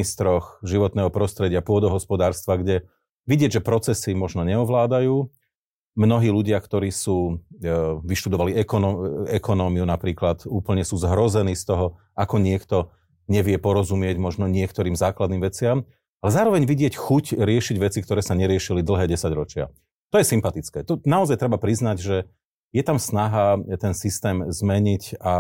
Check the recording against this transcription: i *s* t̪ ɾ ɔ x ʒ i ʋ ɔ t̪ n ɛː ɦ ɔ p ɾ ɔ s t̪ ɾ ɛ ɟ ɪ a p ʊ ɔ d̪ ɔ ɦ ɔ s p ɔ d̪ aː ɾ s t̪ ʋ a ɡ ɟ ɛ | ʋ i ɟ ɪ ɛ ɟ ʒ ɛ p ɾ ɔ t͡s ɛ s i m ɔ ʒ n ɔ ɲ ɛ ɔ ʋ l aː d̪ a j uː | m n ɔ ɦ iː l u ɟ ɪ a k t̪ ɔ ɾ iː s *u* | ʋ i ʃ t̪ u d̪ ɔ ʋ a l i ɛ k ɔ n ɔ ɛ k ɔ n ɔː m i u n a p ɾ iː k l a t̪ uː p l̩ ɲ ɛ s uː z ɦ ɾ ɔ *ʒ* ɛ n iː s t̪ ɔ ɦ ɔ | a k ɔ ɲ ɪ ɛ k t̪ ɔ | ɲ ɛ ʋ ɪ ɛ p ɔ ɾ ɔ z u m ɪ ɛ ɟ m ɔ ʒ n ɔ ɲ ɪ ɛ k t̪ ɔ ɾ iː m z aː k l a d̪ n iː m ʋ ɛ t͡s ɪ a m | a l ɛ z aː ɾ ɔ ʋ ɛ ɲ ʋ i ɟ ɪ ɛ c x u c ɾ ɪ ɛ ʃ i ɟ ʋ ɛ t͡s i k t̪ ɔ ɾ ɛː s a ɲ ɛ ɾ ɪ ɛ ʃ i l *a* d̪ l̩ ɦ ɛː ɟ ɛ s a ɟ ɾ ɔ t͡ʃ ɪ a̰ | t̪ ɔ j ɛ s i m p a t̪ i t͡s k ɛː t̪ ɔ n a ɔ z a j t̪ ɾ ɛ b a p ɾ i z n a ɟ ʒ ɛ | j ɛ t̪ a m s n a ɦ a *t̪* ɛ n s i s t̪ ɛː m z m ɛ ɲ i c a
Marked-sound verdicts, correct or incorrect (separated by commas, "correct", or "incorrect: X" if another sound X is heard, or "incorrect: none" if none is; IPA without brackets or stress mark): correct, incorrect: uː, incorrect: z, incorrect: i, correct